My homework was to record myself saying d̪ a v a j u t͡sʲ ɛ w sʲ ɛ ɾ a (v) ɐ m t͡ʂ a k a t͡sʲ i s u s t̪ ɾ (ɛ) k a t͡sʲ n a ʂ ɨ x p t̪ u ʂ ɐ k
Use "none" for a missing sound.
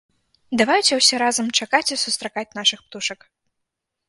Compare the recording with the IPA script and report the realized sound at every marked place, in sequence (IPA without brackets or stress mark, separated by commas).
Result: z, a